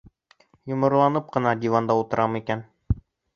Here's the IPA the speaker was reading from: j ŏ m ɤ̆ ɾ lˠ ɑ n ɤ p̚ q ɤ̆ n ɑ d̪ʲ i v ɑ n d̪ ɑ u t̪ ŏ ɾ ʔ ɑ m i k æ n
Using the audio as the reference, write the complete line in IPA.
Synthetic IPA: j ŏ m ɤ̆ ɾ lˠ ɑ n ɤ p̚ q ɤ̆ n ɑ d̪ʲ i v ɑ n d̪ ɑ u t̪ ɤ̆ ɾ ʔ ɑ m i k æ n